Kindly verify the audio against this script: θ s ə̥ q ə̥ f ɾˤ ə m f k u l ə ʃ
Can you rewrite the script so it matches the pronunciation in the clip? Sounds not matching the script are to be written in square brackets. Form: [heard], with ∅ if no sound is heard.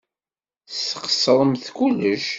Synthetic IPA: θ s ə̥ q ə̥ [s] ɾˤ ə m [θ] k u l ə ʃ